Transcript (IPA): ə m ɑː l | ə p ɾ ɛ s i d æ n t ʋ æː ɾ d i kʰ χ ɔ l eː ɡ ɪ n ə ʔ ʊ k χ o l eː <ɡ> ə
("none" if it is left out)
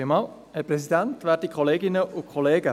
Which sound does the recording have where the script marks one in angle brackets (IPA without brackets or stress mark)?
ɡ